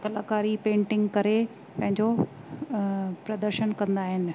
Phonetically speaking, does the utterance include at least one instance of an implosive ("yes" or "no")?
no